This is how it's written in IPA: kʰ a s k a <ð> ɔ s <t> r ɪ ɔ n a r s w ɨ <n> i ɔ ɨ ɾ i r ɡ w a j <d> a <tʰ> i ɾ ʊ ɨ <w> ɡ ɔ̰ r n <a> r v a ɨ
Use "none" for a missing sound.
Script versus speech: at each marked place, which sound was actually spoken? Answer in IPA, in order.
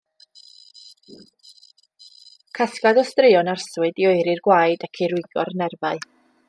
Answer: ð, t, d, d, kʰ, none, ɛ

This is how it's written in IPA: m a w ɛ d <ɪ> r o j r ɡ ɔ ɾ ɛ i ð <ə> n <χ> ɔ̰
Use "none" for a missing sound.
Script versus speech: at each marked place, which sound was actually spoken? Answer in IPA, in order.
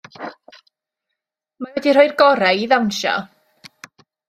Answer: i, a, ʃ

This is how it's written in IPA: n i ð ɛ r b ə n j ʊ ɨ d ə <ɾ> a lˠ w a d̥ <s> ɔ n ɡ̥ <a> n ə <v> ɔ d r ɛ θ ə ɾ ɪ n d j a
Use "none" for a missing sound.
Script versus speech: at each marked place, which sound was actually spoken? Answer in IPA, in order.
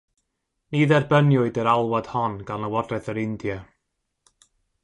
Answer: ɾ, h, a, w

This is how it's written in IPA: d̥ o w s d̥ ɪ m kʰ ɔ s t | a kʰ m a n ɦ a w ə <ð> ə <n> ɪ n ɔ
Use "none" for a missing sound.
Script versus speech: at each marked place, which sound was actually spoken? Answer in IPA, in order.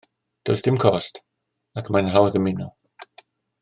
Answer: ð, m

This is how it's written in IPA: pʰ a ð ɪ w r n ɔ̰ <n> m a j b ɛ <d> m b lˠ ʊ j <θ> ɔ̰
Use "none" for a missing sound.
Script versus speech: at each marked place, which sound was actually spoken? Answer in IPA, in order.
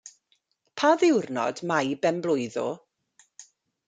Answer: d, none, ð

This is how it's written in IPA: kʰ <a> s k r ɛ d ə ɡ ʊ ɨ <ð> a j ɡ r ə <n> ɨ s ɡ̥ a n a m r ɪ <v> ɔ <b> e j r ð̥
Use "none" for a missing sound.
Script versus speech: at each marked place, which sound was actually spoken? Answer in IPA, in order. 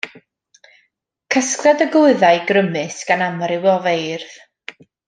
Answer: ə, ð, m, w, v

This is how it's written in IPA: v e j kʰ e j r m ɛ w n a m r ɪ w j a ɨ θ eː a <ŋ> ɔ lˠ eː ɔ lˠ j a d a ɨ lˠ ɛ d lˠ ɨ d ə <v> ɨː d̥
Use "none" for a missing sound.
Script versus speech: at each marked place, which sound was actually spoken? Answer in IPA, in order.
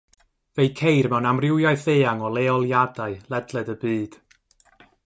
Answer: ŋ, b

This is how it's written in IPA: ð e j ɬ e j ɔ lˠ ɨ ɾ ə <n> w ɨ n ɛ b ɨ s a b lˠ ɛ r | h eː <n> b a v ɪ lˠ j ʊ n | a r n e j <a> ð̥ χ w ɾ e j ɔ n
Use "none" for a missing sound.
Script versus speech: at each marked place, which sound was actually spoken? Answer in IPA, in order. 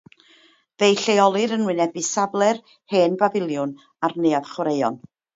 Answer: n, n, a

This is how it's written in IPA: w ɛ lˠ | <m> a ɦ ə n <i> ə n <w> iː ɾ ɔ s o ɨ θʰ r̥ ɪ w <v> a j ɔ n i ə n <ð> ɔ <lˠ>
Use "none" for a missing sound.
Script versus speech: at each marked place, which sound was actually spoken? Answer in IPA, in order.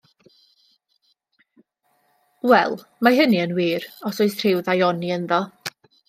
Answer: m, i, w, ð, ð, none

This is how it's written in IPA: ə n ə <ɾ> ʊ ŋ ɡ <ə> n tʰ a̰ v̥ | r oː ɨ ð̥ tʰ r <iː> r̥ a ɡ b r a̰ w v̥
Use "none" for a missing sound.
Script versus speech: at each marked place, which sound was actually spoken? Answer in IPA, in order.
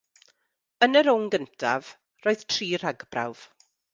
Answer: ɾ, ə, iː

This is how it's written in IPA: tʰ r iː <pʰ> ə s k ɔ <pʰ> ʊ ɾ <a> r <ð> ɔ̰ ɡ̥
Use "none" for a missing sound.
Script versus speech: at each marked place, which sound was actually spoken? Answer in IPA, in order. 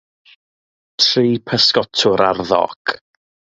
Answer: pʰ, tʰ, a, ð

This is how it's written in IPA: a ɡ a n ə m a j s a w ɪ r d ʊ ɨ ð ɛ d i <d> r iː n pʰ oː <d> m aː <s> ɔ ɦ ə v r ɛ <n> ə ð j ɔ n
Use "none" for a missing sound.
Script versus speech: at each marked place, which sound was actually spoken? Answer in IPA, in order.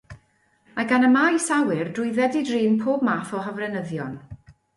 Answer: d, b, θ, n

